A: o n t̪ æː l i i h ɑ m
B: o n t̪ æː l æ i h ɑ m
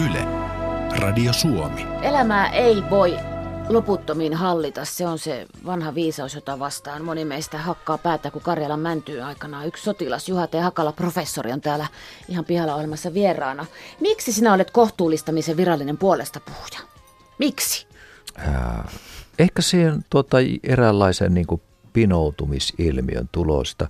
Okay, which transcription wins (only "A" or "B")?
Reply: B